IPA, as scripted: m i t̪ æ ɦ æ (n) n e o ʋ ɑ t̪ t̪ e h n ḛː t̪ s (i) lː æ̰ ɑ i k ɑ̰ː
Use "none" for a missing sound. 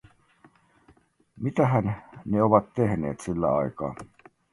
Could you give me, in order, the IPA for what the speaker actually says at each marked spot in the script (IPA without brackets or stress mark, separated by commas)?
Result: n, i